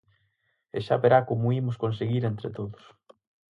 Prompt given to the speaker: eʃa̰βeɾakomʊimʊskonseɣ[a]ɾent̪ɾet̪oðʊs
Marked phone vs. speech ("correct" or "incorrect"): incorrect